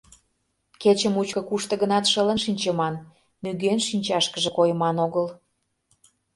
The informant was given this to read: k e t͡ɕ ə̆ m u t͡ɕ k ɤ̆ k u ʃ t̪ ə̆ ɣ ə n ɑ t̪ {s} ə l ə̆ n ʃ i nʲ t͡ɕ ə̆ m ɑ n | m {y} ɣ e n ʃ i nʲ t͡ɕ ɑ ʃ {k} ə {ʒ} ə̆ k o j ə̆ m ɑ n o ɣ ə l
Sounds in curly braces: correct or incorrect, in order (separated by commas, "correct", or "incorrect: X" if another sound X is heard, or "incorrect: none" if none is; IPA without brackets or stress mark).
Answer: incorrect: ʃ, correct, correct, correct